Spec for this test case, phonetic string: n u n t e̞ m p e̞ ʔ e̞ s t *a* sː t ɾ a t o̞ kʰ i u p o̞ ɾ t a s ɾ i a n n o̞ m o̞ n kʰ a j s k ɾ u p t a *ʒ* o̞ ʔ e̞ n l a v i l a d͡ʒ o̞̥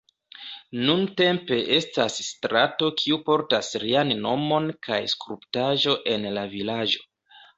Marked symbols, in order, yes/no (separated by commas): yes, yes